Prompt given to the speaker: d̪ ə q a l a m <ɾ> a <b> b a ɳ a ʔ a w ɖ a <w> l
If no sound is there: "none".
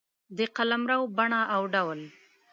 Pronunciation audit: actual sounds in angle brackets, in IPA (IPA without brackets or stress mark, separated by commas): ɾ, w, w